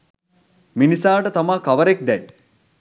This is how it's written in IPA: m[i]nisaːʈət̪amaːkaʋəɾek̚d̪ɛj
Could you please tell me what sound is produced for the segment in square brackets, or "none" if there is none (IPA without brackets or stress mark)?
i